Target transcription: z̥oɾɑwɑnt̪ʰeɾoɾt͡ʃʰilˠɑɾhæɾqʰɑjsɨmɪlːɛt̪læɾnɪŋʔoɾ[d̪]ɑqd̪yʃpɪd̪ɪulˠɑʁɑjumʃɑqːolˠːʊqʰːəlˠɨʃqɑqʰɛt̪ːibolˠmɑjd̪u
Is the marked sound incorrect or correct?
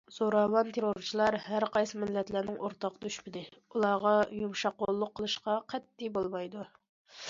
incorrect